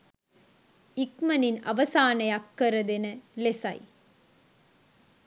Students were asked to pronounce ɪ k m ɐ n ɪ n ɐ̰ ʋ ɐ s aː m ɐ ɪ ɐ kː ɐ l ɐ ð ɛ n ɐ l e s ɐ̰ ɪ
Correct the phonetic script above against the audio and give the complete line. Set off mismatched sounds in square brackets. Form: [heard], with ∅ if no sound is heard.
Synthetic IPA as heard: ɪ k m ɐ n ɪ n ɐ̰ ʋ ɐ s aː [n] ɐ ɪ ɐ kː ɐ [ɾ] ɐ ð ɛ n ɐ l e s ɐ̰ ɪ